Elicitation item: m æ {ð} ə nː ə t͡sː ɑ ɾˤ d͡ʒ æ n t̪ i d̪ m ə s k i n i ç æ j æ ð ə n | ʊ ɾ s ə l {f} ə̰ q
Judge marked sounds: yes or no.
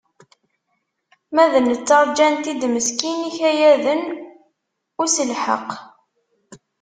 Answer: yes, no

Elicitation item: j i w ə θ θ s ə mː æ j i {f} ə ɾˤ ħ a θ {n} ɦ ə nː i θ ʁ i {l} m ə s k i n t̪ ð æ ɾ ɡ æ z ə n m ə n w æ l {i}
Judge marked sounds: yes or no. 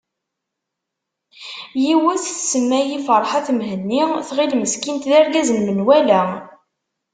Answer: yes, no, yes, no

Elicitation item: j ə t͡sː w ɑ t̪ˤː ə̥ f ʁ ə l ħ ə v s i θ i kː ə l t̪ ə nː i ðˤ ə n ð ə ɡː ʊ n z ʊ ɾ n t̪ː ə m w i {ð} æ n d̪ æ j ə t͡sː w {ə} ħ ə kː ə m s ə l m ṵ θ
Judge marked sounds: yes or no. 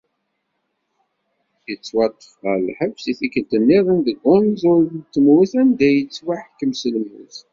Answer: no, no

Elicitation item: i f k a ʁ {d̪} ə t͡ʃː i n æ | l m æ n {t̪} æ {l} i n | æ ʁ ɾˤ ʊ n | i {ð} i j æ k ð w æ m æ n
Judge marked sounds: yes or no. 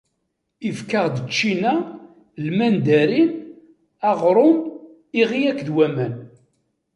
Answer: yes, no, no, no

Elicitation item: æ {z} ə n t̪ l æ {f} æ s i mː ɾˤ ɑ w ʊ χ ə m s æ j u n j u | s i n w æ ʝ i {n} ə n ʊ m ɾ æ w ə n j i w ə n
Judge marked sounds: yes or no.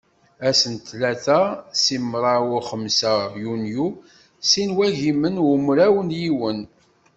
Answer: no, no, no

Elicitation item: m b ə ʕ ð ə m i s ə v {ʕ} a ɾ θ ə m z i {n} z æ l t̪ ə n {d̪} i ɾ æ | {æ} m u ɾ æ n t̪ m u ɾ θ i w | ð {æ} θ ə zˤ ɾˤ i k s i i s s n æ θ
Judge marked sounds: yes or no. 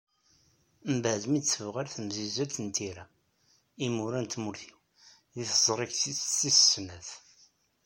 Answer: no, no, no, no, no

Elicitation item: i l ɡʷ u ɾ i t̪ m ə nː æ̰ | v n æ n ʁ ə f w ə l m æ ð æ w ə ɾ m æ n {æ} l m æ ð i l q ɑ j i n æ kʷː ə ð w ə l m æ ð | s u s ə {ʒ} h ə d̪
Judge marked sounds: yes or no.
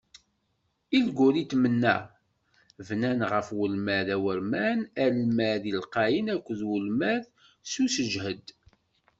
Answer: yes, yes

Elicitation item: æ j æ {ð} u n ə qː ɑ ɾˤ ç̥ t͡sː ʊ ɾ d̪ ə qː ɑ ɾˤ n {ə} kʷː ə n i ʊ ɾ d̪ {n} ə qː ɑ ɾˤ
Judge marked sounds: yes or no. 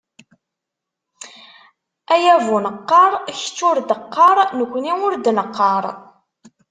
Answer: no, yes, yes

